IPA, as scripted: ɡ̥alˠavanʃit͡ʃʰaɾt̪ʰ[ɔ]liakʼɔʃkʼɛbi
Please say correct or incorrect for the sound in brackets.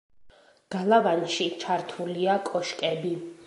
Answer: incorrect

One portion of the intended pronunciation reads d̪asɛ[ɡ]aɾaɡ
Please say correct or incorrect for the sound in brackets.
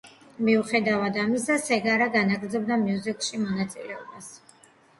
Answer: correct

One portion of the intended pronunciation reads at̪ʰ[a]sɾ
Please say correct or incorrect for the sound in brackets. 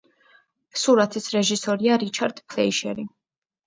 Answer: incorrect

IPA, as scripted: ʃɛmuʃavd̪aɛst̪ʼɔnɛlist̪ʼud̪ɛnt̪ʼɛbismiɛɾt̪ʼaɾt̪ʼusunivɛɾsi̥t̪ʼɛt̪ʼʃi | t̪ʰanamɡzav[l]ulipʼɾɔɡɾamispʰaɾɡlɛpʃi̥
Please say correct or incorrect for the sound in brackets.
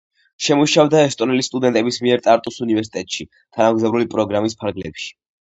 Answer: incorrect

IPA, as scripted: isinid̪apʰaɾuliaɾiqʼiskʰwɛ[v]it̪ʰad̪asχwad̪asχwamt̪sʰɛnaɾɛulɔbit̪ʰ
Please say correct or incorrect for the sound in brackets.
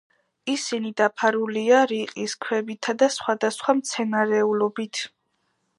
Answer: incorrect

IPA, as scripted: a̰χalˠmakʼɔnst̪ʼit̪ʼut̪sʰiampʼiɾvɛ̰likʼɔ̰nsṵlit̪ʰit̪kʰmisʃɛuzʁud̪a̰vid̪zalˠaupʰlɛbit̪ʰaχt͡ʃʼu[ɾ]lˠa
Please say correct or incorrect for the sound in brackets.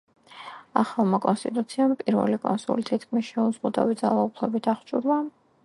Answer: correct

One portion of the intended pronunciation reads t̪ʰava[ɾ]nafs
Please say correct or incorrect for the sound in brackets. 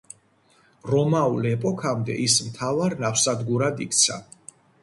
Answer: correct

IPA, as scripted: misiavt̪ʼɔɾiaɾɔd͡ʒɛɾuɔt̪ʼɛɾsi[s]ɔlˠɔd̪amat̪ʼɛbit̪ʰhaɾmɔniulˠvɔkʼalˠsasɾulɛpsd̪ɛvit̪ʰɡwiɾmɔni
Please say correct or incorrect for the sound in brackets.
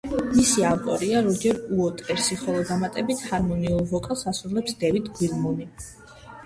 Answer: incorrect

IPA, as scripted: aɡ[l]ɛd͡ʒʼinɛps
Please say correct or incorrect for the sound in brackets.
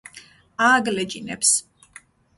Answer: correct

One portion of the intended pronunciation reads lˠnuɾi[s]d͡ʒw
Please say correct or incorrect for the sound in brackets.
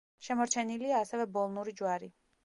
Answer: incorrect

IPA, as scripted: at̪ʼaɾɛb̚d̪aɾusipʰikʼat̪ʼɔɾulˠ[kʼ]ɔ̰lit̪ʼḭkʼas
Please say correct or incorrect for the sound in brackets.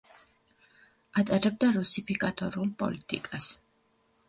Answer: incorrect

